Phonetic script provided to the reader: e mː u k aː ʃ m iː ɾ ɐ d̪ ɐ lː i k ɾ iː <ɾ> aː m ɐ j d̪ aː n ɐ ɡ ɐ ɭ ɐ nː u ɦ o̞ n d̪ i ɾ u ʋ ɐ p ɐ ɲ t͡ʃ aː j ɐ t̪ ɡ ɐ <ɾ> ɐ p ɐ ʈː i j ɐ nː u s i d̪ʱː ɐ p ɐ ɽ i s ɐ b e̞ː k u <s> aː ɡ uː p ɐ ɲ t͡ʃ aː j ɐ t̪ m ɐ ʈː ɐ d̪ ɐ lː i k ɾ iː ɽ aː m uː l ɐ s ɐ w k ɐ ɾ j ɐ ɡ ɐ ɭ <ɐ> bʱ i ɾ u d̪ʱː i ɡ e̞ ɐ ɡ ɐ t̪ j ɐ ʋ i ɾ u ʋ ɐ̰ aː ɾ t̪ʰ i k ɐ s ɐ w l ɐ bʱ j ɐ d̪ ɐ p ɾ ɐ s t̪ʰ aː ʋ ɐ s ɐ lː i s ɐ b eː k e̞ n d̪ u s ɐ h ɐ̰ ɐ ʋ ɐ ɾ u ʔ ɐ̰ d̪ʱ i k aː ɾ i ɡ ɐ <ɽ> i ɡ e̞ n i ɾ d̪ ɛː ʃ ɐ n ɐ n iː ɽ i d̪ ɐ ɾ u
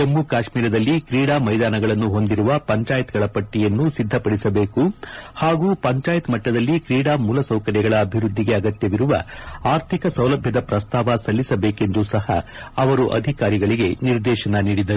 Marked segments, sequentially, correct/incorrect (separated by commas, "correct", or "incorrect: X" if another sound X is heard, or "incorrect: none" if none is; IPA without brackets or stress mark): incorrect: ɽ, incorrect: ɭ, incorrect: h, incorrect: ɐː, incorrect: ɭ